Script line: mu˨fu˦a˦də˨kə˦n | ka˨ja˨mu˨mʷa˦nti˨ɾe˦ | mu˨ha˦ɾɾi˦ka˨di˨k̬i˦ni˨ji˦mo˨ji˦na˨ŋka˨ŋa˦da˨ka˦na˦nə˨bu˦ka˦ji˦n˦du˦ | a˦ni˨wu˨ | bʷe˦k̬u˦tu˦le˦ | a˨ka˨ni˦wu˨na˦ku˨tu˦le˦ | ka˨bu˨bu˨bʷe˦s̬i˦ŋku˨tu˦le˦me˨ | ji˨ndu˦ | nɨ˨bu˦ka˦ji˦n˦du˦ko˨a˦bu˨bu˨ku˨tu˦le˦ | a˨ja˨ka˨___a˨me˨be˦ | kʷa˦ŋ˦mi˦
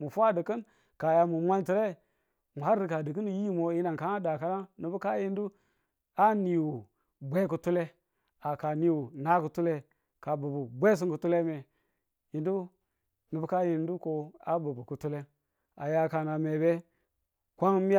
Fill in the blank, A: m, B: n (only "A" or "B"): B